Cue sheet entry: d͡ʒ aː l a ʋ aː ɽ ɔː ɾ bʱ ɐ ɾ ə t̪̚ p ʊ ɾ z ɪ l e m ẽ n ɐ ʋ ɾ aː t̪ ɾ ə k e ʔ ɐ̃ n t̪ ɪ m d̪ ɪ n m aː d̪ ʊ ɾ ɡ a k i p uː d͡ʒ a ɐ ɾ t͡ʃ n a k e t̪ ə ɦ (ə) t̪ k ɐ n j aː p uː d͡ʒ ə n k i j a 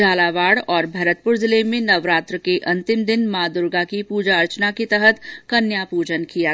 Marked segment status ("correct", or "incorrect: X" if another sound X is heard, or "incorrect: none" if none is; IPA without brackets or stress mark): correct